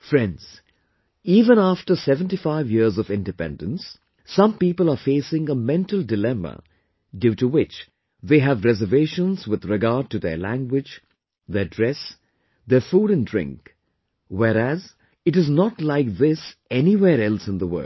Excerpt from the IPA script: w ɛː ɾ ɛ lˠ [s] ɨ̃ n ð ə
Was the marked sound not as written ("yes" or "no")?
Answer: no